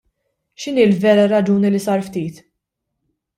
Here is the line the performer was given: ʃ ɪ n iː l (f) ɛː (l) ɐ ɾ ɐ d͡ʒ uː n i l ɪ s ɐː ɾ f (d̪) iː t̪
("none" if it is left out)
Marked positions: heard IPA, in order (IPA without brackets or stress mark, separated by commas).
v, ɾ, t̪